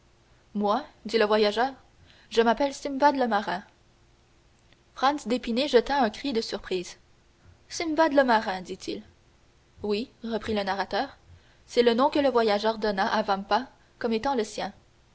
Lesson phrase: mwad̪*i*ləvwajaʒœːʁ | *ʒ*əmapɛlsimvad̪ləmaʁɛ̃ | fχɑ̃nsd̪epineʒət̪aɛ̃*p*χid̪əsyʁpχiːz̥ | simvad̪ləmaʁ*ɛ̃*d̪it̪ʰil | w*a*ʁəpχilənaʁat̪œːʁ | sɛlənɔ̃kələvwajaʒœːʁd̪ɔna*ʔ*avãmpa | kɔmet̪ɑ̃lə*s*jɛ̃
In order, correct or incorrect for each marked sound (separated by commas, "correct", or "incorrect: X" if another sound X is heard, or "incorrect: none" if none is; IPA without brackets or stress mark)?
correct, correct, incorrect: k, correct, incorrect: i, correct, correct